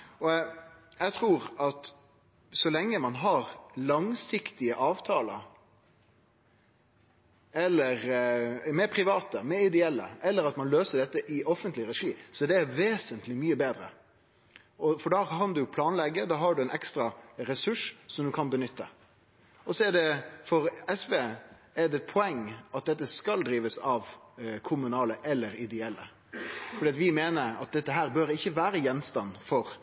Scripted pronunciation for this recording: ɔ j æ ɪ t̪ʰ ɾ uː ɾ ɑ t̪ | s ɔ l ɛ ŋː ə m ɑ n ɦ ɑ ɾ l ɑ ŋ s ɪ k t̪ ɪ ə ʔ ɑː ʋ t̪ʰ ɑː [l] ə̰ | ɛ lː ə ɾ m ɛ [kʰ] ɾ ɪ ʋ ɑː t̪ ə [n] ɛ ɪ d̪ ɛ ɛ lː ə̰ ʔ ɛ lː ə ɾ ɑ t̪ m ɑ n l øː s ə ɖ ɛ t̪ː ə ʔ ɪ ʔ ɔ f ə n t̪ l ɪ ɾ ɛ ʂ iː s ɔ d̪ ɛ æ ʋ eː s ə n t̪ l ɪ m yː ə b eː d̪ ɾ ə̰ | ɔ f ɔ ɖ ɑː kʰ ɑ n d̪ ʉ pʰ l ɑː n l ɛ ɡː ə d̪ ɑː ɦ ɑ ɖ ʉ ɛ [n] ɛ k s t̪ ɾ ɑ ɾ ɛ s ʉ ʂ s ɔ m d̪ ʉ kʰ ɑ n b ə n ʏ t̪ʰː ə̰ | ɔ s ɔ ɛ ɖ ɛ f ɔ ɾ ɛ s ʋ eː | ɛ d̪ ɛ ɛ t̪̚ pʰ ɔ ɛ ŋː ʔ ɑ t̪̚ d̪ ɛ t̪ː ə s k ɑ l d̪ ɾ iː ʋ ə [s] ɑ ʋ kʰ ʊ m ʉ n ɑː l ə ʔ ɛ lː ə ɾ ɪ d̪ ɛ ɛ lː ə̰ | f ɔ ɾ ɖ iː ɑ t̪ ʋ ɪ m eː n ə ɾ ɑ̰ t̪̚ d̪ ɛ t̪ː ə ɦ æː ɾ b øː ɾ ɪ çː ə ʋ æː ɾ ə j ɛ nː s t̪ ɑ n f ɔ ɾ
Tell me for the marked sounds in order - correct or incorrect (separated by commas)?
correct, incorrect, incorrect, correct, correct